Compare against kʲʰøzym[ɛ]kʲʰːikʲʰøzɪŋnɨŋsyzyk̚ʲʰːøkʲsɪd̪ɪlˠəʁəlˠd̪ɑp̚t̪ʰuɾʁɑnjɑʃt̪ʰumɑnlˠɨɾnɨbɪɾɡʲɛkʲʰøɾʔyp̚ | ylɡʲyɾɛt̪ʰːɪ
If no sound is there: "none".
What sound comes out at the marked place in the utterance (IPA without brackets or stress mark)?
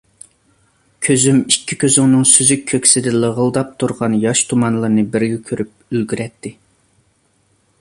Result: i